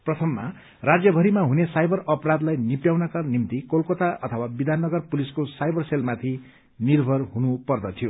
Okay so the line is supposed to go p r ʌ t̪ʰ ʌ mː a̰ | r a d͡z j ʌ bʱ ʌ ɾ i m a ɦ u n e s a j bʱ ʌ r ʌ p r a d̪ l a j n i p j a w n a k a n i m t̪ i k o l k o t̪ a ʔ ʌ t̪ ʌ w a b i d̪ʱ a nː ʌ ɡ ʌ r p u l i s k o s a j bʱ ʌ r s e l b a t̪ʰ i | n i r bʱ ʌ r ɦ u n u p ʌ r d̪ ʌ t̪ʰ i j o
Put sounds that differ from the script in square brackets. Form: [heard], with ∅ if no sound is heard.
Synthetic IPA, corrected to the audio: p r ʌ t̪ʰ ʌ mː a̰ | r a d͡z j ʌ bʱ ʌ ɾ i m a ɦ u n e s a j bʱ ʌ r ʌ p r a d̪ l a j n i p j a w n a k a n i m t̪ i k o l k o t̪ a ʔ ʌ [t̪ʰ] ʌ w a b i d̪ʱ a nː ʌ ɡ ʌ r p u l i s k o s a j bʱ ʌ r s e l [m] a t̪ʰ i | n i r bʱ ʌ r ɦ u n u p ʌ r d̪ ʌ t̪ʰ i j o